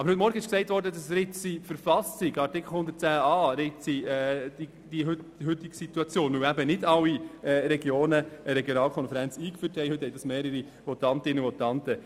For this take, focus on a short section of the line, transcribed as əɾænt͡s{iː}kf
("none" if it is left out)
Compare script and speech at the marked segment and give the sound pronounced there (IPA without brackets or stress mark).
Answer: iː